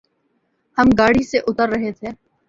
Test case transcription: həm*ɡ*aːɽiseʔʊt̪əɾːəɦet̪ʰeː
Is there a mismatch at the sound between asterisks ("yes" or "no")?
no